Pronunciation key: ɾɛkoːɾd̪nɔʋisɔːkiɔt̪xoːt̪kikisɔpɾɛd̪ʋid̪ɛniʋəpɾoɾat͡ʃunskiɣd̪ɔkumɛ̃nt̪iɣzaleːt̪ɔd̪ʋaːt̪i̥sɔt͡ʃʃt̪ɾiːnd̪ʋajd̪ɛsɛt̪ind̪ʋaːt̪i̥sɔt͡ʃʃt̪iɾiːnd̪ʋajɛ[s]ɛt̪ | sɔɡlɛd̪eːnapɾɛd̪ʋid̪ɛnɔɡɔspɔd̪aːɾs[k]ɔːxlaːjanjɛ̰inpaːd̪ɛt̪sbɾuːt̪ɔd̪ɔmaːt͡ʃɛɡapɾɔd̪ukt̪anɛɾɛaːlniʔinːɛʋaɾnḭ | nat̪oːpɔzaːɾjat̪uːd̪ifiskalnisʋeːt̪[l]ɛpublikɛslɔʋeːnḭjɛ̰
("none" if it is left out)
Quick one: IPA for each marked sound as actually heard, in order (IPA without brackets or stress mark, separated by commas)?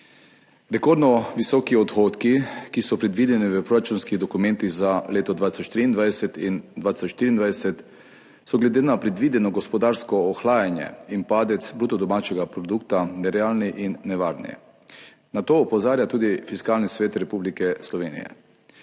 s, k, ɾ